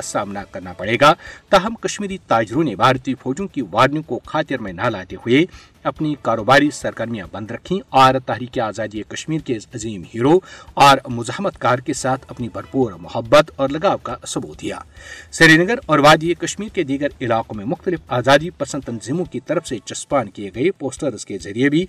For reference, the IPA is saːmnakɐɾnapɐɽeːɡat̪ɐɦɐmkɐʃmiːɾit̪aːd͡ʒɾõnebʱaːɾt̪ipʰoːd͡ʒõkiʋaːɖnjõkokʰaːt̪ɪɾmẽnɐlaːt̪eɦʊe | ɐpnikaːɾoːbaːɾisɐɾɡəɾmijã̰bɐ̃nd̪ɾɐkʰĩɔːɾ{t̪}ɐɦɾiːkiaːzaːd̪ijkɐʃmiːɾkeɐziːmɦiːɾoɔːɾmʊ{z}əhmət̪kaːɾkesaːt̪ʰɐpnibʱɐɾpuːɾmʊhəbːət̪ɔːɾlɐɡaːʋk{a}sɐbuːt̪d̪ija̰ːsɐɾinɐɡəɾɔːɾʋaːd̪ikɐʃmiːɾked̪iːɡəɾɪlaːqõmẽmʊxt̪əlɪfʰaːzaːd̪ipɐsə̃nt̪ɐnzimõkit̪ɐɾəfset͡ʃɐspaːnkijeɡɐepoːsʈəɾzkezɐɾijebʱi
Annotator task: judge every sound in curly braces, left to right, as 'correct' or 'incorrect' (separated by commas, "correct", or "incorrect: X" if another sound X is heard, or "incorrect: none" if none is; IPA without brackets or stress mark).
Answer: correct, correct, correct